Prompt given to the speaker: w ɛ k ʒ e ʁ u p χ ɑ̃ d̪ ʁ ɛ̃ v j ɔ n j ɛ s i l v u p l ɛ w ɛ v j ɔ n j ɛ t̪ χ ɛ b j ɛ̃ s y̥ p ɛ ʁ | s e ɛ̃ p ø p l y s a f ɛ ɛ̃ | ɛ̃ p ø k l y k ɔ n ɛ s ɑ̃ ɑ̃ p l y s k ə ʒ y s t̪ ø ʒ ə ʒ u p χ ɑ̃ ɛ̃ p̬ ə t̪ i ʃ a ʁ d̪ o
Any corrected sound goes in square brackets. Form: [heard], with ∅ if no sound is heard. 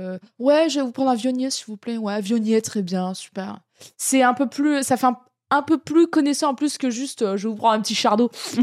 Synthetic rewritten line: w ɛ [∅] ʒ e [v] u p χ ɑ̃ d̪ ʁ ɛ̃ v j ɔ n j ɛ s i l v u p l ɛ w ɛ v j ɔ n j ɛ t̪ χ ɛ b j ɛ̃ s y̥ p ɛ ʁ | s [ɛ] ɛ̃ p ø p l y s a f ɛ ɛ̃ | ɛ̃ p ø [p] l y k ɔ n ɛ s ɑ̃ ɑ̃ p l y s k ə ʒ y s t̪ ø ʒ ə [v] u p χ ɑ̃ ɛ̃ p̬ ə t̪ i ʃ a ʁ d̪ o